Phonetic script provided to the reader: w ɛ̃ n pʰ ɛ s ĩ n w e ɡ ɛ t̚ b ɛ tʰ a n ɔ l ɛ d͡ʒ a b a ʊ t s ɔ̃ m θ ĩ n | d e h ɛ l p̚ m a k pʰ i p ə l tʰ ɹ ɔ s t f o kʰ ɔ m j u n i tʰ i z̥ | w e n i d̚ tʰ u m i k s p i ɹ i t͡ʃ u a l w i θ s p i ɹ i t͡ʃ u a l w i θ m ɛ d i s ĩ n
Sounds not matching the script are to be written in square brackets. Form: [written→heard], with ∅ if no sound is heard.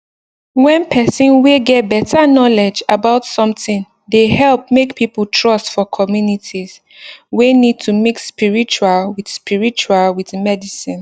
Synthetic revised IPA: w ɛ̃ n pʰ ɛ s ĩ n w e ɡ ɛ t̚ b ɛ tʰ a n ɔ l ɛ d͡ʒ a b a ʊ t s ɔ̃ m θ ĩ n | d e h ɛ l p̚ m [a→e] k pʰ i p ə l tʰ ɹ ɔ s t f [o→ɔ] kʰ ɔ m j u n i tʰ i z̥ | w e n i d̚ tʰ u m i k s p i ɹ i t͡ʃ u a l w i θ s p i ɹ i t͡ʃ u a l w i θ m ɛ d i s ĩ n